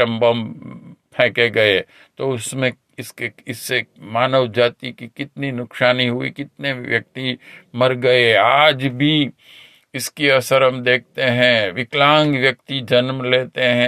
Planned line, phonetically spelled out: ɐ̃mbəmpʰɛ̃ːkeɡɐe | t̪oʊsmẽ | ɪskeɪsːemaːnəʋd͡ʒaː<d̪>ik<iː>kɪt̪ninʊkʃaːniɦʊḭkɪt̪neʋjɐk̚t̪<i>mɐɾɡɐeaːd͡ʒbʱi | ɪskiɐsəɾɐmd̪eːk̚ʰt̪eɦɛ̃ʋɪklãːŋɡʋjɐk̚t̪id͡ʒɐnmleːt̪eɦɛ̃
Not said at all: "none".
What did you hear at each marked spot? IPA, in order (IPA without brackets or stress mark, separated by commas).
t̪, i, i